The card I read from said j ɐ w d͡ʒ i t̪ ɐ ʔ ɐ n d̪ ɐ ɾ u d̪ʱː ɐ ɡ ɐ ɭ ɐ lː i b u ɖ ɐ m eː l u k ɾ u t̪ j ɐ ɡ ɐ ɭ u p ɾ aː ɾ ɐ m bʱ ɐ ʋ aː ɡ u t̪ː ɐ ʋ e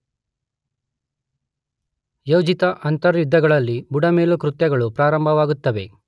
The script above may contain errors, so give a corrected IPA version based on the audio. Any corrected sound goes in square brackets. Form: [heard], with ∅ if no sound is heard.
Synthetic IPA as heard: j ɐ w d͡ʒ i t̪ ɐ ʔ ɐ n [t̪] ɐ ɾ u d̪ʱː ɐ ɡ ɐ ɭ ɐ lː i b u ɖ ɐ m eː l u k ɾ u t̪ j ɐ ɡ ɐ ɭ u p ɾ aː ɾ ɐ m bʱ ɐ ʋ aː ɡ u t̪ː ɐ ʋ e